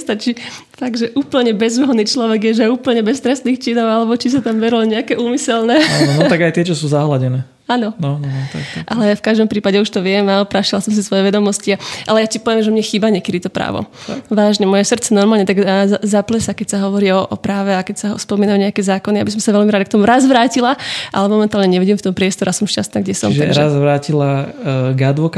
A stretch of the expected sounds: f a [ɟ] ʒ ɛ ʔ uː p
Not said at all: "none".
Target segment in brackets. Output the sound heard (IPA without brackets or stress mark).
ɡ